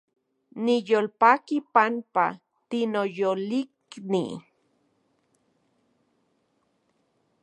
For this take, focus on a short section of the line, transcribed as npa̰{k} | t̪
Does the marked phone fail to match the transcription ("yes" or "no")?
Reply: yes